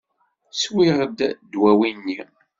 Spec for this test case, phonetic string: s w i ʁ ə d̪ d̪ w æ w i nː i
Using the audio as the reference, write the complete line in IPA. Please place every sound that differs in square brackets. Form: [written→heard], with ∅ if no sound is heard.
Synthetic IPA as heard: s w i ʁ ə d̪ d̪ w æ w i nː i